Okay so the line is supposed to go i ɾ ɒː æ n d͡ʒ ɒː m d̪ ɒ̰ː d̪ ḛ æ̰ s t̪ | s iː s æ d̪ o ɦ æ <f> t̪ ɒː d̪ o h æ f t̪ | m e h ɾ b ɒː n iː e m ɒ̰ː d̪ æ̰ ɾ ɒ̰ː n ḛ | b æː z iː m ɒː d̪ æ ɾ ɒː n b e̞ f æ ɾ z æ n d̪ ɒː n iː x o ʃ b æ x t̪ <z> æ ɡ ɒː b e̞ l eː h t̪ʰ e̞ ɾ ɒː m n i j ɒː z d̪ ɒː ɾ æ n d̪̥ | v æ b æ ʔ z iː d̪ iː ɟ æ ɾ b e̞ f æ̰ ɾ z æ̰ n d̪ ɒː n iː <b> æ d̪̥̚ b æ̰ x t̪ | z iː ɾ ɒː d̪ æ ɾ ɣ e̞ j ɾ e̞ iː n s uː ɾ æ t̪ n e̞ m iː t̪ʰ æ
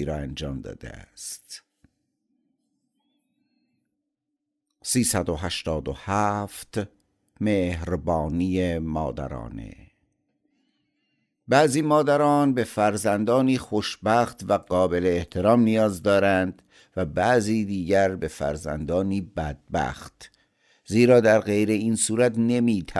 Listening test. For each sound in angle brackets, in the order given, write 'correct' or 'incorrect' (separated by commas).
incorrect, incorrect, correct